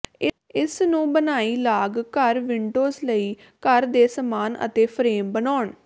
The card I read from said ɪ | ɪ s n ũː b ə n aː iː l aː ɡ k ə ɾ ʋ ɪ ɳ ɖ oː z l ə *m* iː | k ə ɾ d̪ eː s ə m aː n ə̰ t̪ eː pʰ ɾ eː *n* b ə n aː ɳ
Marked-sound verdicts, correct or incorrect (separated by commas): incorrect, incorrect